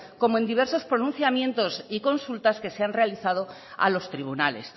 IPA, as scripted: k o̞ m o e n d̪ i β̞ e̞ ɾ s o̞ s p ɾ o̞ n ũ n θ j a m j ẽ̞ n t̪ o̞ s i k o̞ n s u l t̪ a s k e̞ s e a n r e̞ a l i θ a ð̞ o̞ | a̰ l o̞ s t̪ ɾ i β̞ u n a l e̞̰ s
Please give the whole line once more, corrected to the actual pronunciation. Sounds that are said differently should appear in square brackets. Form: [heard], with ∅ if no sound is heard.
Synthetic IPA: k o̞ m o e n d̪ i β̞ e̞ ɾ s o̞ s p ɾ o̞ n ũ n θ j a m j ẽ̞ n t̪ o̞ s i k o̞ n s u l t̪ a s k e̞ s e a n r e̞ a l i θ a ð̞ o̞ | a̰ l o̞ s t̪ ɾ i β̞ u n a l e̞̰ s